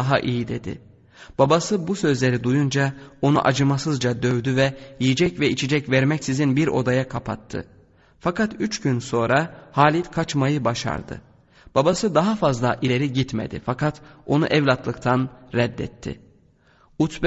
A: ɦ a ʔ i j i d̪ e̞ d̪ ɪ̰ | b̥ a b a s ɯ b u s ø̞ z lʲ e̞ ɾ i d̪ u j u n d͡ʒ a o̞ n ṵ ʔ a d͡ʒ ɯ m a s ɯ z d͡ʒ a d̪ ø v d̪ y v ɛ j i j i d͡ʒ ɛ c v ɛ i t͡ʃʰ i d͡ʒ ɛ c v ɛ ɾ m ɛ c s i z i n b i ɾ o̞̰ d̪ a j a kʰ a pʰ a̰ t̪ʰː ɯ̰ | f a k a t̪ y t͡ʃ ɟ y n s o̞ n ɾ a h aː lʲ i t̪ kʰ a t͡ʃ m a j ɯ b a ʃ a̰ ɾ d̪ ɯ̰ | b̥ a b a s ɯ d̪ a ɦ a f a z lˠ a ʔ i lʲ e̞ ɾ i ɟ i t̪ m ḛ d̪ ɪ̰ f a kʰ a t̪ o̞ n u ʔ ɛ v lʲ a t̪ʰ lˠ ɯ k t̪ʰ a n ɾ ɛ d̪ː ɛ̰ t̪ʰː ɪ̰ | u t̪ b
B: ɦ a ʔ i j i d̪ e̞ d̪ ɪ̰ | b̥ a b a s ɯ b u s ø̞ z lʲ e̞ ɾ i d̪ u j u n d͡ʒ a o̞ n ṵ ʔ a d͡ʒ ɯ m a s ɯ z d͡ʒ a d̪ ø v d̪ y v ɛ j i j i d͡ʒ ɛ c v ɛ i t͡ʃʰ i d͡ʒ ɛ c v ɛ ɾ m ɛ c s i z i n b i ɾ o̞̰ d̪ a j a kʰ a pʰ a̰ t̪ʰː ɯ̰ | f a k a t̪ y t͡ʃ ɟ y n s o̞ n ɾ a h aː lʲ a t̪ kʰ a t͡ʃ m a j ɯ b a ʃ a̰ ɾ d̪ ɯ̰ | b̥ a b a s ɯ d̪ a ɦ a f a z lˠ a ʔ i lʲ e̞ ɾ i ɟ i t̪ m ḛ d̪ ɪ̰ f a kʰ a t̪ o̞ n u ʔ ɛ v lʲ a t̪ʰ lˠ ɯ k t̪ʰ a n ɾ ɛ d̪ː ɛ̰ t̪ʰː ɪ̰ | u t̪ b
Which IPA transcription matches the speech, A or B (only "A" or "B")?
A